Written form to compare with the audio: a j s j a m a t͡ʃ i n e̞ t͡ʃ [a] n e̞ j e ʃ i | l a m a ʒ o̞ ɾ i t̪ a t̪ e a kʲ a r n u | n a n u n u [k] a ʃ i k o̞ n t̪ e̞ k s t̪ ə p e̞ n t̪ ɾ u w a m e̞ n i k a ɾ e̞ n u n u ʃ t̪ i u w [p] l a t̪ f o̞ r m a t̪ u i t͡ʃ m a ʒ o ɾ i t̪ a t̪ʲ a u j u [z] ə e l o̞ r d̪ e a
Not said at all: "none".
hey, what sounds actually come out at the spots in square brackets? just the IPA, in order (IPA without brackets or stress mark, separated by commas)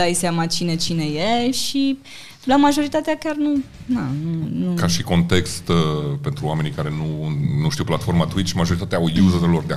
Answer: i, k, p, z